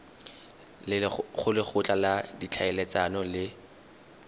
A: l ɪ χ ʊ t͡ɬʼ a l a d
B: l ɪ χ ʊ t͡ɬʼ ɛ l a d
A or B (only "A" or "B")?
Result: A